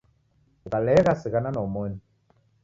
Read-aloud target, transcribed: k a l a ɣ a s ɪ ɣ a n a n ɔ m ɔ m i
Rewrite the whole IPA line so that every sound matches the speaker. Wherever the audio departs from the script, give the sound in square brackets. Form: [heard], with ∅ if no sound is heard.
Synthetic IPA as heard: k a l [ɛ] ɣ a s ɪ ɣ a n a n ɔ m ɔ [n] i